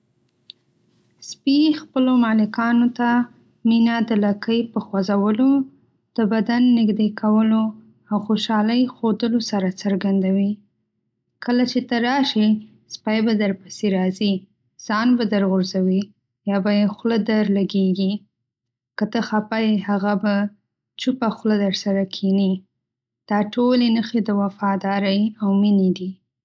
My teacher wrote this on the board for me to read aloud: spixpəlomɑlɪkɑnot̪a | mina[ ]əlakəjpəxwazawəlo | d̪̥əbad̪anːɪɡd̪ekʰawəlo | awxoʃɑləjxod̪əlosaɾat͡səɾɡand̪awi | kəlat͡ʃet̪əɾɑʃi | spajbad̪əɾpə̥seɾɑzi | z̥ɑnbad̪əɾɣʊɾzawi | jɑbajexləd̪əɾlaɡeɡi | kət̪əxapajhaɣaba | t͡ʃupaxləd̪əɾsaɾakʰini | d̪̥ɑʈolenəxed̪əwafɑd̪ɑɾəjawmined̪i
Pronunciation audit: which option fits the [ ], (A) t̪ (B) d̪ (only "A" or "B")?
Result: B